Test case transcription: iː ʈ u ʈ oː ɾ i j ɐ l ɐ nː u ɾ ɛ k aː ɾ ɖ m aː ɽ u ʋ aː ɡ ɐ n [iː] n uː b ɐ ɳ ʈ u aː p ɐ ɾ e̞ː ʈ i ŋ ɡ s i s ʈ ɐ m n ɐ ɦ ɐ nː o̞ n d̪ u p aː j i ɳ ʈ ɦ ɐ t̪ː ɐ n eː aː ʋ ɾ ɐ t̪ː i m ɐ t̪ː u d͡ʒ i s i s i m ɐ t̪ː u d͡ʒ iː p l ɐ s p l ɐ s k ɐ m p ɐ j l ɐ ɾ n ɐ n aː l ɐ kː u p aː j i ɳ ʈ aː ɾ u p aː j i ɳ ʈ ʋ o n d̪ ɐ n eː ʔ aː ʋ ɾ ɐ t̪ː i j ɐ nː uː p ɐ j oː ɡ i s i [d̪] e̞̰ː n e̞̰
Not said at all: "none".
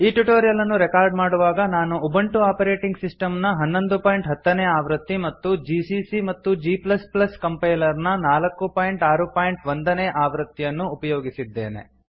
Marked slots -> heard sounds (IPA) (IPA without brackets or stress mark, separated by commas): aː, d̪ː